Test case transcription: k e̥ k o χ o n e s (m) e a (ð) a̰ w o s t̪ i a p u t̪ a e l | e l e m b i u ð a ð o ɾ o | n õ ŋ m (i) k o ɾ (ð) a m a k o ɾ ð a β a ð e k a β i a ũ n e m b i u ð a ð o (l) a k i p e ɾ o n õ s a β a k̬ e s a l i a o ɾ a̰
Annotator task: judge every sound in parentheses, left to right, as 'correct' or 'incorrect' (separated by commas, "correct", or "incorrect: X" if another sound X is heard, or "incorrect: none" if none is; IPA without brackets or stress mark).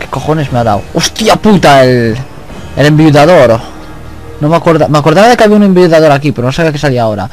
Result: correct, correct, incorrect: a, correct, incorrect: ɾ